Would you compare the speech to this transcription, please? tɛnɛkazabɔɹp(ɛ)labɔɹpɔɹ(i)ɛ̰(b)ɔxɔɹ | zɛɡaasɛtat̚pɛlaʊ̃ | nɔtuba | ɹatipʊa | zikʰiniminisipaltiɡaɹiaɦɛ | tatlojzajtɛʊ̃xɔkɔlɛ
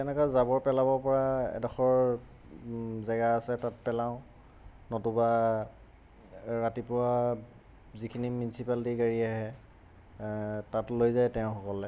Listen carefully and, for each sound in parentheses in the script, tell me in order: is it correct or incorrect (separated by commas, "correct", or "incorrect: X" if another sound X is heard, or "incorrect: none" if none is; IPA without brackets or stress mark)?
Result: correct, incorrect: a, incorrect: d